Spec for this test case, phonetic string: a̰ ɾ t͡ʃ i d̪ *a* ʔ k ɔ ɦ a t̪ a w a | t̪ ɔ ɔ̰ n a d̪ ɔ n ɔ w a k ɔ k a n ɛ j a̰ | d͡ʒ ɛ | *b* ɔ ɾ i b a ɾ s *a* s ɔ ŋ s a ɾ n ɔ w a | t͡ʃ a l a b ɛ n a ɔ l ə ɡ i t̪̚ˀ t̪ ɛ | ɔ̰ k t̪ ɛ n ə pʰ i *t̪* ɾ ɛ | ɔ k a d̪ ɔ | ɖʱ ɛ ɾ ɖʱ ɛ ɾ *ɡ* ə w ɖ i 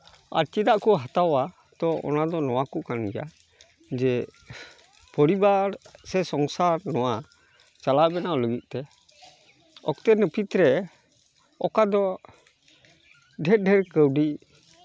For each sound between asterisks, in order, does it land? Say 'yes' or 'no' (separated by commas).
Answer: yes, no, no, yes, no